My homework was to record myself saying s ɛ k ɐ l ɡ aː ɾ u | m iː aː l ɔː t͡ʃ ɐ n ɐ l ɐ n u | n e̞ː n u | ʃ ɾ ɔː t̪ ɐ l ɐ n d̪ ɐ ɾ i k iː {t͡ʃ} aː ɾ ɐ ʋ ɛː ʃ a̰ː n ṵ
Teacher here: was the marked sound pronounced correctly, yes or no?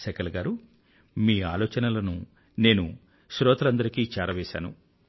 yes